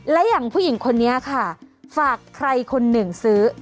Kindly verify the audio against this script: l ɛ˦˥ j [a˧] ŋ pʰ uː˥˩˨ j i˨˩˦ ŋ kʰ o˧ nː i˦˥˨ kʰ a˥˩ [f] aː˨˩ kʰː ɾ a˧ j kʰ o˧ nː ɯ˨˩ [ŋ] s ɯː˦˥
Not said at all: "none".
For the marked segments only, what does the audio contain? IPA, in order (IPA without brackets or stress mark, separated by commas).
a˨˩, f, ŋ